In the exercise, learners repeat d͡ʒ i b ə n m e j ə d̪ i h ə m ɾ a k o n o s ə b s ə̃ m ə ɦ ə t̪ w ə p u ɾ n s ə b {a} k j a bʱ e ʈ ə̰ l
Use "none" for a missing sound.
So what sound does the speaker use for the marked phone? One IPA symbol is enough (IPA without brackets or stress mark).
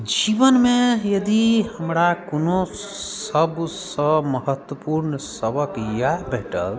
ə